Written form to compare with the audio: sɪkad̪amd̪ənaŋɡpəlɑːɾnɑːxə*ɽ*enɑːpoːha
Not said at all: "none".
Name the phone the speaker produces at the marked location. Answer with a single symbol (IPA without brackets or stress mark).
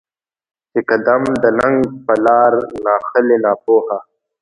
l